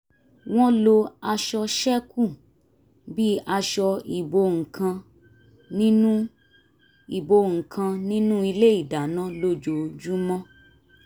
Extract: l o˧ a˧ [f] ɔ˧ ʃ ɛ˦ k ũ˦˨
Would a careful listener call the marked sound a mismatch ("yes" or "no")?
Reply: yes